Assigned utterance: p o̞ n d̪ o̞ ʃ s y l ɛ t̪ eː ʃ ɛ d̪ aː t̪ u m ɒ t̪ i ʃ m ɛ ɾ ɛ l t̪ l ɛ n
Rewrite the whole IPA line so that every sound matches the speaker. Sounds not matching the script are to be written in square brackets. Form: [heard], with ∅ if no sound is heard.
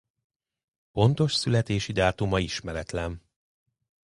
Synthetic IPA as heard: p o̞ n [t̪] o̞ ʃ s y l ɛ t̪ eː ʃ [i] d̪ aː t̪ u m ɒ [∅] i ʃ m ɛ ɾ ɛ [∅] t̪ l ɛ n